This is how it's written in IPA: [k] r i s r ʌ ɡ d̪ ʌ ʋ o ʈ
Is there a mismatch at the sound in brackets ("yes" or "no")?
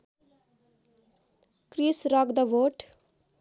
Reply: no